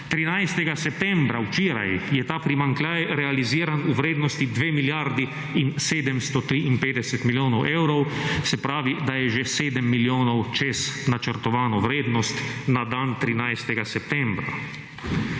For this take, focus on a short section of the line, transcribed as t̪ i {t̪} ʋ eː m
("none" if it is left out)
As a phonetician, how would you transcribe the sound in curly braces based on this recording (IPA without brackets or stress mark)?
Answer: d̪